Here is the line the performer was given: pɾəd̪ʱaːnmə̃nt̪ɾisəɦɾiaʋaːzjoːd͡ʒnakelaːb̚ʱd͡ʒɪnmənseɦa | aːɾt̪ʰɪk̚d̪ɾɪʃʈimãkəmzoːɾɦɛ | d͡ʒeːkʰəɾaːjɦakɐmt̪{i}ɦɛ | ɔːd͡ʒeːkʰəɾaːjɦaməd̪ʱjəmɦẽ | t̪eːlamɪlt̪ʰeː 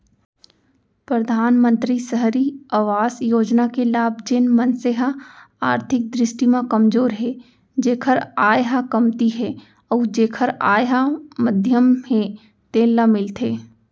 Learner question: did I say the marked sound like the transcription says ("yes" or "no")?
yes